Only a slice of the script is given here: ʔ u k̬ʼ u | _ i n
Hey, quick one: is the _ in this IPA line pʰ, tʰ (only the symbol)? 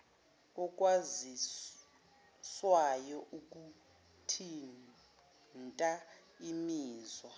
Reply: tʰ